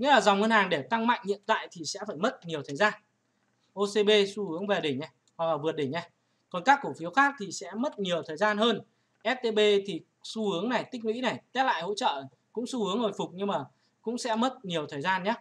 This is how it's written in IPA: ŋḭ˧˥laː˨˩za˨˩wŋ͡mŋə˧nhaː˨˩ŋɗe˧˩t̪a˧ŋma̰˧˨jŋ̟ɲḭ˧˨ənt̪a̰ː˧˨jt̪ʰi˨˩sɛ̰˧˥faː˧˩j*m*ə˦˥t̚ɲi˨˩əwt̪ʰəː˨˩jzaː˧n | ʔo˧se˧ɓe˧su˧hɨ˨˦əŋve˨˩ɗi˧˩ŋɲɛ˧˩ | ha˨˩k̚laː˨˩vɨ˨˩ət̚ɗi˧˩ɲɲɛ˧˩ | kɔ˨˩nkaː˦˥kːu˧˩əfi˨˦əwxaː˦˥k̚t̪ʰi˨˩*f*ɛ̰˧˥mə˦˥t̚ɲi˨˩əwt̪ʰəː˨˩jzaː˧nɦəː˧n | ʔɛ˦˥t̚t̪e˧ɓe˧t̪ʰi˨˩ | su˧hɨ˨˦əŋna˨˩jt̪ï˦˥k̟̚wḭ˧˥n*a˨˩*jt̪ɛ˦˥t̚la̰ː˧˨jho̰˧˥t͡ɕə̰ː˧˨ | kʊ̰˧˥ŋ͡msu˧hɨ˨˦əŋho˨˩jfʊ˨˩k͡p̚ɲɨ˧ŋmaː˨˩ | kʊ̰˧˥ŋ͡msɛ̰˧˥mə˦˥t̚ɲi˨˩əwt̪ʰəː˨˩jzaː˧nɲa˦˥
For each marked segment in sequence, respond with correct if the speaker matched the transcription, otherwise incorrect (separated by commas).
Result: correct, incorrect, correct